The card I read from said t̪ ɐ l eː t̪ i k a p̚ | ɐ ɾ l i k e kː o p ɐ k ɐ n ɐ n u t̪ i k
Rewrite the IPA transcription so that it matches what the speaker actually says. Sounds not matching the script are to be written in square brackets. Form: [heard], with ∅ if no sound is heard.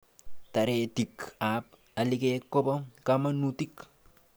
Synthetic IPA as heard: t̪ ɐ [ɾ] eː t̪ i k a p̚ | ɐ [∅] l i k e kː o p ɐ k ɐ [m] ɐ n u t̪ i k